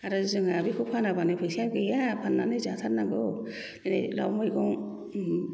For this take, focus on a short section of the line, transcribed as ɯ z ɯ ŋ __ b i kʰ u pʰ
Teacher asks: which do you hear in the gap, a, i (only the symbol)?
a